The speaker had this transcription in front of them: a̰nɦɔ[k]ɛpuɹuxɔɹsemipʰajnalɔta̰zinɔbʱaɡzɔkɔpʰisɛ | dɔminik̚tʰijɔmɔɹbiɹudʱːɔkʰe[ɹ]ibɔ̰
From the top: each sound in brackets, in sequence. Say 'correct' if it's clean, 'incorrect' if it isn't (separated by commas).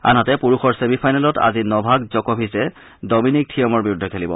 incorrect, incorrect